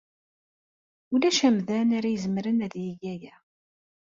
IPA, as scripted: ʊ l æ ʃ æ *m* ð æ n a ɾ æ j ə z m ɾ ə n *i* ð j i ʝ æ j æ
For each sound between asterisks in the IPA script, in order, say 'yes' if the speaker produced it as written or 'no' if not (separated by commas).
yes, no